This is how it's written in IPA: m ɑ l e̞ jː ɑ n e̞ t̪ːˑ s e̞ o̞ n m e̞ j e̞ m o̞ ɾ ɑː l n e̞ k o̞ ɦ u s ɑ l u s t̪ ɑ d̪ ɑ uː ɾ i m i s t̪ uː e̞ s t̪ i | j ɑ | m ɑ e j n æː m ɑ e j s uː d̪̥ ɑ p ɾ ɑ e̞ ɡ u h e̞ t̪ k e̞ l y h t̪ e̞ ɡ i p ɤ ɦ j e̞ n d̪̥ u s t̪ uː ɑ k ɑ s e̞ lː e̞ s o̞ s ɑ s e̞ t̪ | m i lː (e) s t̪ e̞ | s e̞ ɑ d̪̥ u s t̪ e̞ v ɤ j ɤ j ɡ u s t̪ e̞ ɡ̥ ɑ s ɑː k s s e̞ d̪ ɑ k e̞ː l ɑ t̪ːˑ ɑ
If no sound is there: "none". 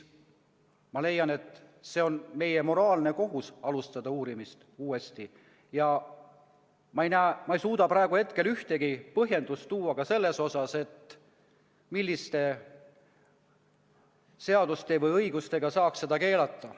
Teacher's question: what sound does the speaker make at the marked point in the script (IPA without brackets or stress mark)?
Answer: i